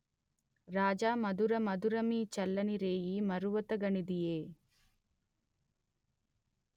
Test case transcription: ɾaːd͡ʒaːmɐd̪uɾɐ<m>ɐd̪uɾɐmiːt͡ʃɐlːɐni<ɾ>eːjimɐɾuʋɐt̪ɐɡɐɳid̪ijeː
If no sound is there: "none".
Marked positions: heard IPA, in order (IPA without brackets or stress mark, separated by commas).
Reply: m, ɾ